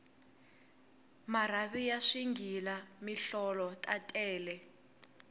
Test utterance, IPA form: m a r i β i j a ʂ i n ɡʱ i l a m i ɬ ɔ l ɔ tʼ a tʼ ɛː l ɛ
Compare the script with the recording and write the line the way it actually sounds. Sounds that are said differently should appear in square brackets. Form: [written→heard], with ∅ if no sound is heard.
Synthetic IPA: m a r [i→a] β i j a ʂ i [n→ŋ] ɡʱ i l a m i ɬ ɔ l ɔ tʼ a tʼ ɛː l ɛ